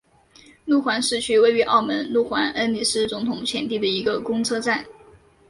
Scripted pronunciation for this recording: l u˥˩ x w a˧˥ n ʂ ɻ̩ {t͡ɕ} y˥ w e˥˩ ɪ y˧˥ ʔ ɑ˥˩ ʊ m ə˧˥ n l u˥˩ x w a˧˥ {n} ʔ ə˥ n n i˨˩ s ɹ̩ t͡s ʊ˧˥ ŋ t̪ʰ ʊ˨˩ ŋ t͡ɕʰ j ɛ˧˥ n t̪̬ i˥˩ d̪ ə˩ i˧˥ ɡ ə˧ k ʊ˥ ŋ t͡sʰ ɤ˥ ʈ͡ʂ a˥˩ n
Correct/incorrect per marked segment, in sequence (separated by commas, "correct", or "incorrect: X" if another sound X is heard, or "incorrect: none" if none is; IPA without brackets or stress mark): incorrect: t͡ɕʰ, correct